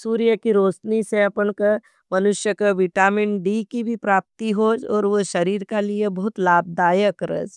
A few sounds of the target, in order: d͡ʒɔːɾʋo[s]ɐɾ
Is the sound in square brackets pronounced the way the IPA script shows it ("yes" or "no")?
no